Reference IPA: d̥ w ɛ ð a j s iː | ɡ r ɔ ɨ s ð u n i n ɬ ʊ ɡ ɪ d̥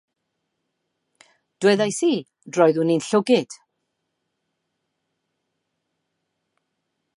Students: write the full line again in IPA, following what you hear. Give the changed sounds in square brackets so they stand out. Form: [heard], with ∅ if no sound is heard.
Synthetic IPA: d̥ w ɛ ð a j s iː | [d] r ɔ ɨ [∅] ð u n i n ɬ ʊ ɡ ɪ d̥

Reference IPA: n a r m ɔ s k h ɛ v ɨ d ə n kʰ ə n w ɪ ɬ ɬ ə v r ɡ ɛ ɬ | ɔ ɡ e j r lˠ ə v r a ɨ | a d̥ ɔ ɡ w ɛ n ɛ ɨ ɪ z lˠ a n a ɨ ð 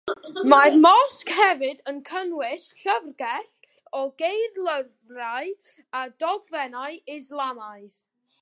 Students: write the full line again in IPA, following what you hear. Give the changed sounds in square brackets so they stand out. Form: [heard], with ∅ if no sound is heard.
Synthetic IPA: [m] a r m ɔ s k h ɛ v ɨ d ə n kʰ ə n w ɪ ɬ ɬ ə v r ɡ ɛ ɬ | ɔ ɡ e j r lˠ ə v r a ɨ | a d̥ ɔ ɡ [v] ɛ n [a] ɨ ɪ z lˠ a [m] a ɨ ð

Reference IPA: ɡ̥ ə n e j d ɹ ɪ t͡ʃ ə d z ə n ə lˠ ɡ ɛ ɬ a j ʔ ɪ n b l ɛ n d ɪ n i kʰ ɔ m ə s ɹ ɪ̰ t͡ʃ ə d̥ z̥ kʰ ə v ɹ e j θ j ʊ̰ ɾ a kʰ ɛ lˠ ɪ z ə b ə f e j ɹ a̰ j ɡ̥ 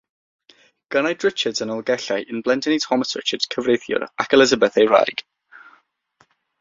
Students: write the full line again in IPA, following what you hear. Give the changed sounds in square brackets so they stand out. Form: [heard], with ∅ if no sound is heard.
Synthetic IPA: ɡ̥ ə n [a] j d ɹ ɪ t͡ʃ ə d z ə n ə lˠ ɡ ɛ ɬ a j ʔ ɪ n b l ɛ n d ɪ n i [tʰ] ɔ m ə s ɹ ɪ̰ t͡ʃ ə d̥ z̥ kʰ ə v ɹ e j θ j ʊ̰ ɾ a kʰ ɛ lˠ ɪ z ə b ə [θ] e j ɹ a̰ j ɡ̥

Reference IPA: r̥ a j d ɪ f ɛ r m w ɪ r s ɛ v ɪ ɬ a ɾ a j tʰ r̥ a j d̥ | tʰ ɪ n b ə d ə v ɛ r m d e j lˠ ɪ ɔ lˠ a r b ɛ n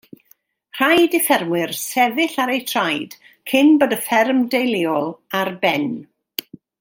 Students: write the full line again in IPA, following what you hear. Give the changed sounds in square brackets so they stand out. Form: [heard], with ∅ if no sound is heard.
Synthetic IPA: r̥ a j d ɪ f ɛ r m w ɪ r s ɛ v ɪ ɬ a ɾ [e] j tʰ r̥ a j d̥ | [kʰ] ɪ n b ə d ə [f] ɛ r m d e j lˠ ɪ ɔ lˠ a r b ɛ n

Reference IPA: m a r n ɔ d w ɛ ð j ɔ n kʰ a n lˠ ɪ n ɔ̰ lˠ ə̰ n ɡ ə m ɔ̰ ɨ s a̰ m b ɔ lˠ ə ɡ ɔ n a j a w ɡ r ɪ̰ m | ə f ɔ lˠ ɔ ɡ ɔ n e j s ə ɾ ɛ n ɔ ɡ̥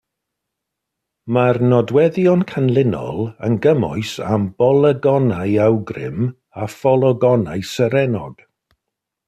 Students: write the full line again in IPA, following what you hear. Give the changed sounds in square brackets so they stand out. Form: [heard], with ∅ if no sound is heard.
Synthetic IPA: m a r n ɔ d w ɛ ð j ɔ n kʰ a n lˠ ɪ n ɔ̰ lˠ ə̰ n ɡ ə m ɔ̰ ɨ s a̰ m b ɔ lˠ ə ɡ ɔ n a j a w ɡ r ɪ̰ m | [a] f ɔ lˠ ɔ ɡ ɔ n [a] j s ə ɾ ɛ n ɔ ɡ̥

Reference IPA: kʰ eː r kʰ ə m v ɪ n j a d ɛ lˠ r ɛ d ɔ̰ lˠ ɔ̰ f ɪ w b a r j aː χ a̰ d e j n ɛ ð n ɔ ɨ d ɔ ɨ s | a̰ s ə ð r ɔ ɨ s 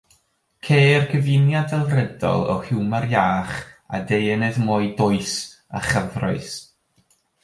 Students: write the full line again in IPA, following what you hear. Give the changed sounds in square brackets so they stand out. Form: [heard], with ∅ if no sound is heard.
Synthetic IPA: kʰ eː r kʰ ə [∅] v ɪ n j a d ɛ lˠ r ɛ d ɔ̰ lˠ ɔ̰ [h] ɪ w [m] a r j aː χ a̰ d e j n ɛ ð [m] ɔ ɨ d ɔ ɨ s | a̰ [χ] ə [v] r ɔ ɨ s

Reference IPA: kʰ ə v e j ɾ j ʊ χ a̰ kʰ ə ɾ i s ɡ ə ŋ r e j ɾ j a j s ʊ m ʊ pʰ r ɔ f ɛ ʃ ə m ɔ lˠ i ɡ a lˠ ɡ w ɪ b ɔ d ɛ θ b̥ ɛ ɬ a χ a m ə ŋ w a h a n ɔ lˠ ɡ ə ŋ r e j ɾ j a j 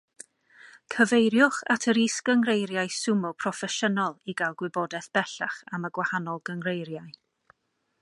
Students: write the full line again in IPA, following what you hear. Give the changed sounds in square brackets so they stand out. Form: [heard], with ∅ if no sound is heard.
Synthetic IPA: kʰ ə v e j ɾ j ʊ χ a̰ [tʰ] ə ɾ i s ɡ ə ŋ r e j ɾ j a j s ʊ m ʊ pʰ r ɔ f ɛ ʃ ə [n] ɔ lˠ i ɡ a lˠ ɡ w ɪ b ɔ d ɛ θ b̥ ɛ ɬ a χ a m ə [ɡ] w a h a n ɔ lˠ ɡ ə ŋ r e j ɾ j a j

